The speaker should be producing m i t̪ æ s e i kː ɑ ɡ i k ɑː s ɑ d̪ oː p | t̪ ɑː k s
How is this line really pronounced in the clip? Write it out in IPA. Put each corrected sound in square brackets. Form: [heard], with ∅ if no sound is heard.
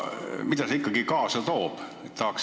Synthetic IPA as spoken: m i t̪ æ s e i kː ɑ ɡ i k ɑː s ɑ [t̪] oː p | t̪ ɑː k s